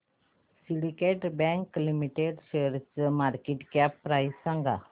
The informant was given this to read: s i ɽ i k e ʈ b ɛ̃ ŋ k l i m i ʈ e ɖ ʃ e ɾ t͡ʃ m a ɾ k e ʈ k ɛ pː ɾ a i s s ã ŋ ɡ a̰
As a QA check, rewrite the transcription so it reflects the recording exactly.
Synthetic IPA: s i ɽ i k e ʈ b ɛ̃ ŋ k l i m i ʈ e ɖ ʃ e ɾ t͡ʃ m a ɾ k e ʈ k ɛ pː ɾ a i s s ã ŋ ɡ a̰